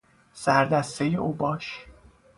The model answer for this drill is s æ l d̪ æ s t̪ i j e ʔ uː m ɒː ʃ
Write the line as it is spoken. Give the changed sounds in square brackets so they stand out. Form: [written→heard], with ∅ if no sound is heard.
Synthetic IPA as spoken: s æ [l→ɾ] d̪ æ s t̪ [i→e] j e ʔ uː [m→b] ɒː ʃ